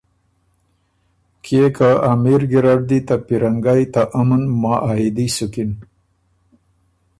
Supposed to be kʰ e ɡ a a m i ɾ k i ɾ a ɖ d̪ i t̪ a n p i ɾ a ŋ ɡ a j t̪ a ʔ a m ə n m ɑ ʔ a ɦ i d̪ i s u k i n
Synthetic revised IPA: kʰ e k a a m i ɾ ɡ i ɾ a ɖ d̪ i t̪ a p i ɾ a ŋ ɡ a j t̪ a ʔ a m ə n m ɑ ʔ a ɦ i d̪ i s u k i n